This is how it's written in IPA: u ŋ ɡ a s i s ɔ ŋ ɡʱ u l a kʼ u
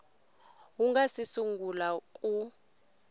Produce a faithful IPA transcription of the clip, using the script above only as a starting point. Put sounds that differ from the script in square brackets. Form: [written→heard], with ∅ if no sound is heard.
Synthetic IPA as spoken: u ŋ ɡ a s i s [ɔ→u] ŋ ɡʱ u l a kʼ u

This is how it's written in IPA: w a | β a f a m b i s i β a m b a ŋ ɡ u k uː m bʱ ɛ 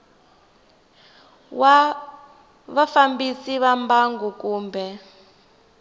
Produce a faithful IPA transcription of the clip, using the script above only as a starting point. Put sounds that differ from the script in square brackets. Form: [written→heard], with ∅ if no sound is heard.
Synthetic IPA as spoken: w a | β a f a m b i s i β a m b a ŋ ɡ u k uː m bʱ ɛ

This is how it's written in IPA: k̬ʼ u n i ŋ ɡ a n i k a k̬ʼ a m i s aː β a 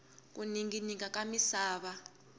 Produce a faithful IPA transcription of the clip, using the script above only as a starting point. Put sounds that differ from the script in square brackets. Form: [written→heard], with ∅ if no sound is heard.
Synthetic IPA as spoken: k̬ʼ u n i ŋ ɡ [a→i] n i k a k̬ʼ a m i s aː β a

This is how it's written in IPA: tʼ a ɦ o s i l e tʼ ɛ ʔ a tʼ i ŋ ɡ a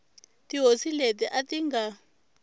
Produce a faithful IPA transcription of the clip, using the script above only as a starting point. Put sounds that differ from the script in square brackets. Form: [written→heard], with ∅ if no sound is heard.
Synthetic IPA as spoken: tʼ [a→i] ɦ o s i l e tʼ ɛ ʔ a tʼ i ŋ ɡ a

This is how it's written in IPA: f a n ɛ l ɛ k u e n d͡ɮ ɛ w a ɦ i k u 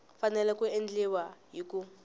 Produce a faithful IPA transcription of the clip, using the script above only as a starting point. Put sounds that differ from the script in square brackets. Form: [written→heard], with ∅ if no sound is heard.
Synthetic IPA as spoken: f a n ɛ l ɛ k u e n d͡ɮ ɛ w a ɦ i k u

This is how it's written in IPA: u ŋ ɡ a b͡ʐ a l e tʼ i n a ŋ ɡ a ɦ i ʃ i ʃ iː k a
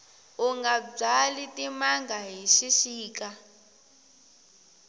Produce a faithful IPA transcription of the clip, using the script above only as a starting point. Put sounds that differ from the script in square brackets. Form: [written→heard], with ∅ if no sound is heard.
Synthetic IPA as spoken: u ŋ ɡ a b͡ʐ a l [e→i] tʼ i [n→m] a ŋ ɡ a ɦ i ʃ i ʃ iː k a

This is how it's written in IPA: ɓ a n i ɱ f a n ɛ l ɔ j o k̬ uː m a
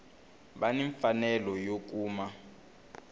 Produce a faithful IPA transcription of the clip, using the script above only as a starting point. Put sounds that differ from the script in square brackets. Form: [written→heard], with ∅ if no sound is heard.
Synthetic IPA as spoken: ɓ a n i ɱ f a n ɛ l ɔ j o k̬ uː m a

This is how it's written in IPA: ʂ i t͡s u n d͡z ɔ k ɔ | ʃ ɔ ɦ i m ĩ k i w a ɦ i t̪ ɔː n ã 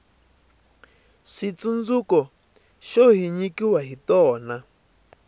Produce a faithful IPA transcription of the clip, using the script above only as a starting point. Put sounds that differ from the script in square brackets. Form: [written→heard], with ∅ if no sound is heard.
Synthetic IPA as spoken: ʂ i t͡s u n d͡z [ɔ→u] k ɔ | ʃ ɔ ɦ i [m→ɲ] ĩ k i w a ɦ i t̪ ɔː n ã

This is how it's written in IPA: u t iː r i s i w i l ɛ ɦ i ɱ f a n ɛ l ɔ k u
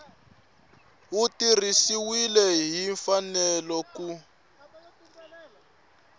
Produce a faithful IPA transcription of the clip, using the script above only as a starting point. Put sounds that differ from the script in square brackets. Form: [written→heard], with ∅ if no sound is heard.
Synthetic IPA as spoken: u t [iː→i] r i s i w i l ɛ ɦ i ɱ f a n ɛ l ɔ k u

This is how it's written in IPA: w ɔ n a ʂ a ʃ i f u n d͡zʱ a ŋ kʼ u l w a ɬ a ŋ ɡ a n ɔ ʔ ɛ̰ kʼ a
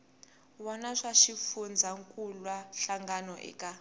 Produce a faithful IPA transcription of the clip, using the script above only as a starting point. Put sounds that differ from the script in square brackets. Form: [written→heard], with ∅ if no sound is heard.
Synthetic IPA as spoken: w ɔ n a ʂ a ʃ i f u n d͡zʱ a ŋ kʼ u l w a ɬ a ŋ ɡ a n ɔ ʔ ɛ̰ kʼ a

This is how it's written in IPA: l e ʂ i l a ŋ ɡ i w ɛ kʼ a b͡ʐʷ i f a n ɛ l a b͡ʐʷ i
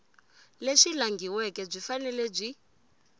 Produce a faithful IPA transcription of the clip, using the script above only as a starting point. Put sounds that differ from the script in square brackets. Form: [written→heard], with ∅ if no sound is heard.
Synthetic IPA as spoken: l e ʂ i l a ŋ ɡ i w ɛ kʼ [a→ɛ] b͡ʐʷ i f a n ɛ l [a→ɛ] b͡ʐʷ i

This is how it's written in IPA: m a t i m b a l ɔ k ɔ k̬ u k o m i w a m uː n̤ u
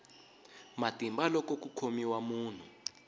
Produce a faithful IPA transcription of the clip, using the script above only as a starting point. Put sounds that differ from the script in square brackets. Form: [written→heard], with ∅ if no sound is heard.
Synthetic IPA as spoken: m a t i m b a l ɔ k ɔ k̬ u [k→kʰ] o m i w a m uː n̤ u

